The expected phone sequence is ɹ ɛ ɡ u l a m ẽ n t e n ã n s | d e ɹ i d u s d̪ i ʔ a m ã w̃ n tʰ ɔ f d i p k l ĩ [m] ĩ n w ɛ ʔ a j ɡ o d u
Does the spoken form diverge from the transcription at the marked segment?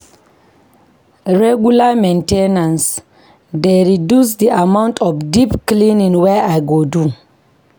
yes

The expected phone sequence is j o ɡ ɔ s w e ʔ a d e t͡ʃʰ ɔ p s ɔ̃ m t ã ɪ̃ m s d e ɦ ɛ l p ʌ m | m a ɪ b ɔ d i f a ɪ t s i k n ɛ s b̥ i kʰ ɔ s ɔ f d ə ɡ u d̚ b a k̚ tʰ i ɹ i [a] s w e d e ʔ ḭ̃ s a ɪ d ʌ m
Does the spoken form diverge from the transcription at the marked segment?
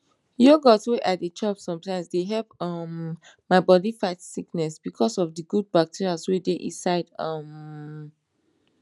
no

